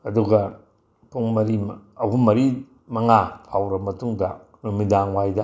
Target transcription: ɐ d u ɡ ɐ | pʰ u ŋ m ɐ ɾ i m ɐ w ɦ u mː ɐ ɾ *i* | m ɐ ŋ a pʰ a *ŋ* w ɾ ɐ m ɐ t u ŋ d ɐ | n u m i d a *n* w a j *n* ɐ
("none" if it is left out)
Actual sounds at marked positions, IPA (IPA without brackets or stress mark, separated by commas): i, none, ŋ, d